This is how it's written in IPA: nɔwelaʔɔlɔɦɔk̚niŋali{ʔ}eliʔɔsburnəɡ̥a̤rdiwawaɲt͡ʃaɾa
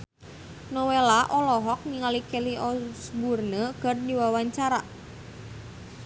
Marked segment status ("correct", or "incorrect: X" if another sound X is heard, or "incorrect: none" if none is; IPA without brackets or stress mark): incorrect: k